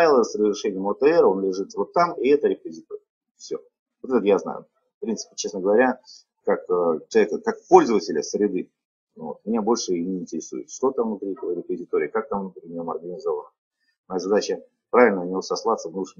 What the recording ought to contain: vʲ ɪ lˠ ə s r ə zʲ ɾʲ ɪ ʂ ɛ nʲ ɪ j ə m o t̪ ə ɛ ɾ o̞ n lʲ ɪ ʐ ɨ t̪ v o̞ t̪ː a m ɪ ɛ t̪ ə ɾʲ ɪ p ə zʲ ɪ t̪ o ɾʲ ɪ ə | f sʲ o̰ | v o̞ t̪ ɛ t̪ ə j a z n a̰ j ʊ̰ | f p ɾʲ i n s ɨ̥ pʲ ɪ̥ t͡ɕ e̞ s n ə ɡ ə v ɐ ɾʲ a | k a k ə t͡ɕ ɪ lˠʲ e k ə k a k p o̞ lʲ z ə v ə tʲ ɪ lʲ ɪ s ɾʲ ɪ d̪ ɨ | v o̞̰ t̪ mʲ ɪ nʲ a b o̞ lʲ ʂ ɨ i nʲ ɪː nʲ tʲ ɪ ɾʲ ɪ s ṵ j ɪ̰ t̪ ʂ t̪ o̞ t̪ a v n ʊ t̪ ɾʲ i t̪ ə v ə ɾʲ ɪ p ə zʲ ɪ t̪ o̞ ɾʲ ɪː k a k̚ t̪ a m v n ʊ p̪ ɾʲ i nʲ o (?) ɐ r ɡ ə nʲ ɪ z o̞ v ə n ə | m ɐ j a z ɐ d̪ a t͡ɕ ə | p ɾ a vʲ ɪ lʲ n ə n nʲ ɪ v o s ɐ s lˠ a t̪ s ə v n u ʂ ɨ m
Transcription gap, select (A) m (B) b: A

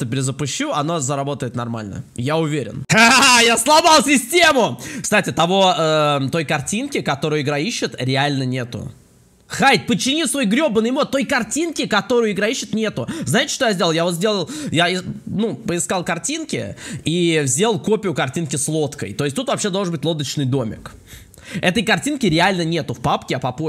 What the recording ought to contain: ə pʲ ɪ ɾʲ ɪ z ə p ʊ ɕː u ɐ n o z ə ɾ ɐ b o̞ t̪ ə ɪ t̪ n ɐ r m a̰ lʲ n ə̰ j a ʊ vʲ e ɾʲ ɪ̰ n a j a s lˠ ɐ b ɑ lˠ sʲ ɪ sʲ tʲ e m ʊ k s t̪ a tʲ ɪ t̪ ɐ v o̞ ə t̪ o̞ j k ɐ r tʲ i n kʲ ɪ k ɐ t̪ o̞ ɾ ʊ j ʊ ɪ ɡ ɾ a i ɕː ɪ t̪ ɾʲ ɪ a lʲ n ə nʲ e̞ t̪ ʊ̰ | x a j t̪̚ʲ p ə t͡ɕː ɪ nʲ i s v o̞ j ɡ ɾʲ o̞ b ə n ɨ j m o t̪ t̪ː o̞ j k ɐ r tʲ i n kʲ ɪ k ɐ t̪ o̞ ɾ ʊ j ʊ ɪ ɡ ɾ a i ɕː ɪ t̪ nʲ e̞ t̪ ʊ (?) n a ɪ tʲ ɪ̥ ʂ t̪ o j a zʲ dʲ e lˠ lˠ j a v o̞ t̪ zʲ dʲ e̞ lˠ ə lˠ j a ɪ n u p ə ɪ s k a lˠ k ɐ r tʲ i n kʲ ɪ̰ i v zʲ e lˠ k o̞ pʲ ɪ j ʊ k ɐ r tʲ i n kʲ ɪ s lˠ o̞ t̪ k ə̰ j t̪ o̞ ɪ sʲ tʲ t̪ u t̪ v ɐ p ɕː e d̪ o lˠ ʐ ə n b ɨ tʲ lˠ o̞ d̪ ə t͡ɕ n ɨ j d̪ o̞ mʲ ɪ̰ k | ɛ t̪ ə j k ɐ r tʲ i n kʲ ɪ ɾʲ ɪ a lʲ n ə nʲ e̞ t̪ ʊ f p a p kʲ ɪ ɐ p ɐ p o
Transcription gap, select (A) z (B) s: A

